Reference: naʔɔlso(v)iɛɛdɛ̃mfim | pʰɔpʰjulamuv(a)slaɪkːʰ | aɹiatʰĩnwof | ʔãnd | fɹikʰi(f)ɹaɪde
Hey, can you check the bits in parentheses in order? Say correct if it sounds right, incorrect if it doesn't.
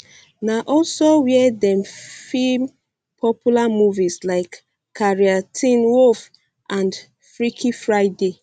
incorrect, incorrect, correct

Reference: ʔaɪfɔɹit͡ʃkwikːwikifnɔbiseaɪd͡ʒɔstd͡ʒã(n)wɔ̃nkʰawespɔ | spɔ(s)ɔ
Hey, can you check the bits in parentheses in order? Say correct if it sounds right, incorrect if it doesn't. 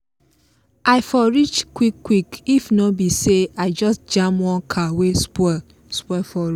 incorrect, incorrect

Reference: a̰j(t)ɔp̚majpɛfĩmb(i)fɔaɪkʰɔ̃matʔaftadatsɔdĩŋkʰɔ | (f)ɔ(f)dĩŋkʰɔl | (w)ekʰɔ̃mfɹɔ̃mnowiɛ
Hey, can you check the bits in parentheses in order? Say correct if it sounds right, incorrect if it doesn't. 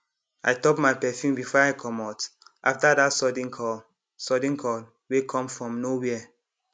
correct, correct, incorrect, incorrect, correct

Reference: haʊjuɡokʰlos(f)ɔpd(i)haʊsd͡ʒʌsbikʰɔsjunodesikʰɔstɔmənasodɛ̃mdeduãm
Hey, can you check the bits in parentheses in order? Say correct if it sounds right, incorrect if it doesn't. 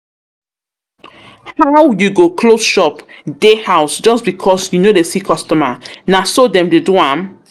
incorrect, incorrect

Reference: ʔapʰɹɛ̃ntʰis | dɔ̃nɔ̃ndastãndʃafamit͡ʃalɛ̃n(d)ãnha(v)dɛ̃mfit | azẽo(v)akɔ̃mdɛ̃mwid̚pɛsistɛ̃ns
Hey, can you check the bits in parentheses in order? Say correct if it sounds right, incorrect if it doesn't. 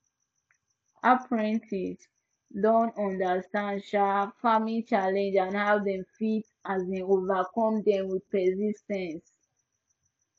incorrect, correct, correct

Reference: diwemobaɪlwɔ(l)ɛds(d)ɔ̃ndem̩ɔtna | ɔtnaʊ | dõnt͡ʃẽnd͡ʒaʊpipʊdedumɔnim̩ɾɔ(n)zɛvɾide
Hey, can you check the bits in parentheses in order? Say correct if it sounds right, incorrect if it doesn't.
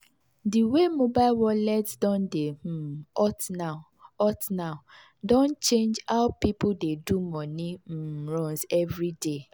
correct, correct, correct

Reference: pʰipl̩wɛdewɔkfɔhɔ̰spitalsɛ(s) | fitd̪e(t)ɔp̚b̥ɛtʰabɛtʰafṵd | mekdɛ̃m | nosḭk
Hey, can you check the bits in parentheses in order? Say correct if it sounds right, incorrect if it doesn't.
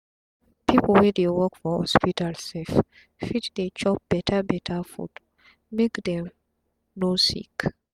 incorrect, incorrect

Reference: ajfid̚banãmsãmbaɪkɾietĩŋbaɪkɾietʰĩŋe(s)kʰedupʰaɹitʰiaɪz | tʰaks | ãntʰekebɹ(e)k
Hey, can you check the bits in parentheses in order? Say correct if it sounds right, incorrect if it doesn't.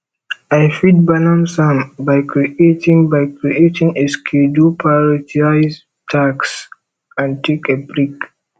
correct, incorrect

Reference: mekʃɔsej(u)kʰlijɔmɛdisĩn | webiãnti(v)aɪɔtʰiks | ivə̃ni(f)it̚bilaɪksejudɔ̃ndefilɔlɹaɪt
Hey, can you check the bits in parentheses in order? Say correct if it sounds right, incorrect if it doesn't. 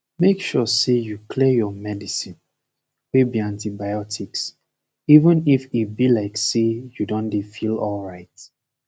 correct, incorrect, correct

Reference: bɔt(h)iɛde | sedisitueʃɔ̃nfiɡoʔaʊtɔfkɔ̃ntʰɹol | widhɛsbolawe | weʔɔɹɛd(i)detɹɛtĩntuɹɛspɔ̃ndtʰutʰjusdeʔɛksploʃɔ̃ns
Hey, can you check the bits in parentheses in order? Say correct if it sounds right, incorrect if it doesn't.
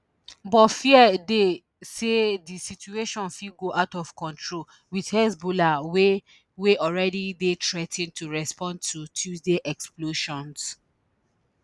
incorrect, correct

